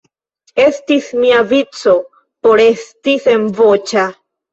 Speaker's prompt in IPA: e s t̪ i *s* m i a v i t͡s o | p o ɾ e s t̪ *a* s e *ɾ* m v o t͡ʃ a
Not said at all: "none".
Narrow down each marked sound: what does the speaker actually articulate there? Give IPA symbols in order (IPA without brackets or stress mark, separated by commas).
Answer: s, i, none